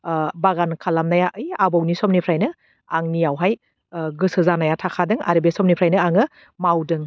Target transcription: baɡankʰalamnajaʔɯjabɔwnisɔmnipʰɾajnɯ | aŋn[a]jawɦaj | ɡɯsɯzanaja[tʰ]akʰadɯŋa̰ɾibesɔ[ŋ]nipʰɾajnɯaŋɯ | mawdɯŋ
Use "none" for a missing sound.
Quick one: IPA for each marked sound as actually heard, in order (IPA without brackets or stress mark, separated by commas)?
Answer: i, tʰ, m